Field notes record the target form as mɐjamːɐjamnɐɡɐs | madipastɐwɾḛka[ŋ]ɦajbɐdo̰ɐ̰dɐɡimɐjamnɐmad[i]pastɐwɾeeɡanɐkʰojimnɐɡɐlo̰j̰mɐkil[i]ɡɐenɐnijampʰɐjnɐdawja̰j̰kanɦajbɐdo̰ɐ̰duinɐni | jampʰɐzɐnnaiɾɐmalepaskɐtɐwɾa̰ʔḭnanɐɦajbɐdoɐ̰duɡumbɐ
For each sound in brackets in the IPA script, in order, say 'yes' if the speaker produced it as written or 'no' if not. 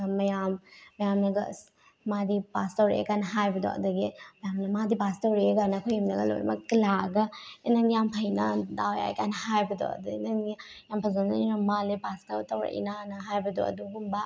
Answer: no, yes, no

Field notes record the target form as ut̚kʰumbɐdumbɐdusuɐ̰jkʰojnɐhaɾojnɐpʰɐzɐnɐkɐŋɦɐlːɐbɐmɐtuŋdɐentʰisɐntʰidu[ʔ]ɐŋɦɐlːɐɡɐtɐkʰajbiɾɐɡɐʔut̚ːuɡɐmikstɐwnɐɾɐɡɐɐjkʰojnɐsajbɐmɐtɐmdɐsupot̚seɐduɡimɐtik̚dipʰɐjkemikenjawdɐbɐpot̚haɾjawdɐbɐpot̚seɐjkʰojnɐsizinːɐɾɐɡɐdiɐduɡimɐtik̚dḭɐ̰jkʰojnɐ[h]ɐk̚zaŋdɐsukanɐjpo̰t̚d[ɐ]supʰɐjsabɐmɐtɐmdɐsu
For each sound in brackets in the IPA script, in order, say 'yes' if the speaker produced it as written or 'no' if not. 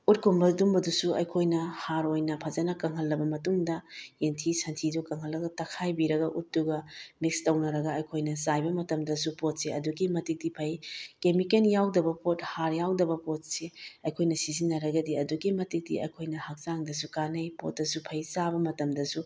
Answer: no, yes, yes

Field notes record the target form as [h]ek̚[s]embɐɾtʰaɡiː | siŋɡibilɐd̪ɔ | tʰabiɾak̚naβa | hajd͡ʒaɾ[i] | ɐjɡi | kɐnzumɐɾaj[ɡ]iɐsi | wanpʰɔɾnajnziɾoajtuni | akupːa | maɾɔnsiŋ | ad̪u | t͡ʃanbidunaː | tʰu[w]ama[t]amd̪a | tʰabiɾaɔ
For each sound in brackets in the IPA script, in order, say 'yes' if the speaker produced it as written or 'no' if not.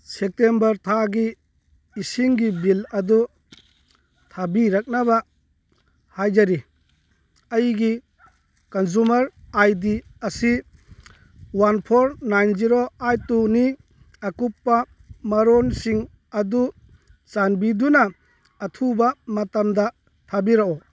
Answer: no, no, yes, no, no, yes

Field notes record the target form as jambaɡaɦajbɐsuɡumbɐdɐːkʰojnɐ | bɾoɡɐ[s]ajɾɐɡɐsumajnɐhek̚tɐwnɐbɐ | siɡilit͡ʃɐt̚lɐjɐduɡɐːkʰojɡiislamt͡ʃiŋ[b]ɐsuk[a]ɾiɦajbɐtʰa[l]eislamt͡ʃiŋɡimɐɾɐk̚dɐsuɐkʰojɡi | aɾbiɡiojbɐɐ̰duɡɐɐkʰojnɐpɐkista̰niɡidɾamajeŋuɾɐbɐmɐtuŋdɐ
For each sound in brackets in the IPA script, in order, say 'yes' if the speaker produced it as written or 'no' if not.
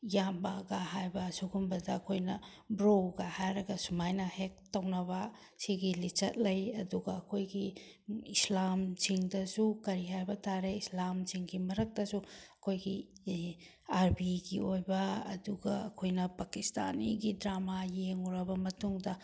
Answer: no, no, no, no

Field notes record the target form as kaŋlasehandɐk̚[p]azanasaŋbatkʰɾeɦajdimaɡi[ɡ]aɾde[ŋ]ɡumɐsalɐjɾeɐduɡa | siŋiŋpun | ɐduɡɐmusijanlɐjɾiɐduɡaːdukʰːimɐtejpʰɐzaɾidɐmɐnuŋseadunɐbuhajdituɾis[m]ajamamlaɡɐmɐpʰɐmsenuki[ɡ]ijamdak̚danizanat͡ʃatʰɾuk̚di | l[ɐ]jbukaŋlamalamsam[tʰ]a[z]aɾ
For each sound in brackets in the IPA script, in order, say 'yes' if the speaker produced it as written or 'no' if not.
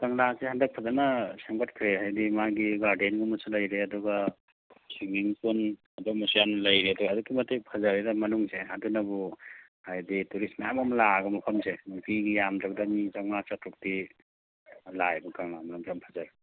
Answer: no, yes, no, yes, yes, no, no, yes

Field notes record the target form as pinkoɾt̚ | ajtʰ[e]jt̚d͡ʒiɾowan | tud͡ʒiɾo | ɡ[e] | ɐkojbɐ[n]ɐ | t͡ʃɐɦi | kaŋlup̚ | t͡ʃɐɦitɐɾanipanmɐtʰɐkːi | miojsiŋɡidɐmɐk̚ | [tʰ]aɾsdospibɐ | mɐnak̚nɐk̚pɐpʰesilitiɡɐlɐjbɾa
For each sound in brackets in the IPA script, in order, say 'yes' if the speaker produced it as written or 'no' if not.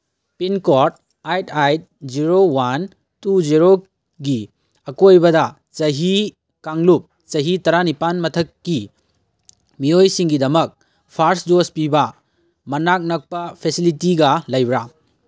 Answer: no, no, no, no

